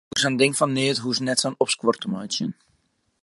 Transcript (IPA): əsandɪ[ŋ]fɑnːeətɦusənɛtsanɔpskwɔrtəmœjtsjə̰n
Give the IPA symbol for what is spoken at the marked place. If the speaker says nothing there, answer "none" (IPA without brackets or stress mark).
ŋ